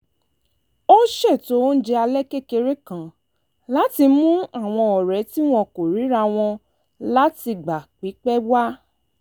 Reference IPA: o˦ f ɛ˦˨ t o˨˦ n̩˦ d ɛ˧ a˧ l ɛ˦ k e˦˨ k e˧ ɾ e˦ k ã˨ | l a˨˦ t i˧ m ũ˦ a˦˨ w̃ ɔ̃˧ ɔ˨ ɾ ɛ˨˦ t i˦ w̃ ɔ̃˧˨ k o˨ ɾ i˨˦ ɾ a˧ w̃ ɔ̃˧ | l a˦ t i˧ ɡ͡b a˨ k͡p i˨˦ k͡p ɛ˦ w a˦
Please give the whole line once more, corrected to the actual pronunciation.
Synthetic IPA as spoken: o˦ ʃ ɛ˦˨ t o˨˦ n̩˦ d͡ʒ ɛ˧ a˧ l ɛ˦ k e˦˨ k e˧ ɾ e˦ k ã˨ | l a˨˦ t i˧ m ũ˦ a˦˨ w̃ ɔ̃˧ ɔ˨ ɾ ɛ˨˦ t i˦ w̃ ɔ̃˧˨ k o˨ ɾ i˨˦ ɾ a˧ w̃ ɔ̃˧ | l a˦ t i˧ ɡ͡b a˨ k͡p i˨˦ k͡p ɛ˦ w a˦